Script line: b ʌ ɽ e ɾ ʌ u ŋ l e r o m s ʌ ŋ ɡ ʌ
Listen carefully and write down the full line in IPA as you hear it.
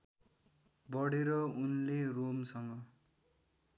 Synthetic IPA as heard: b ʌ ɽ e ɾ ʌ u n l e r o m s ʌ ŋ ɡ ʌ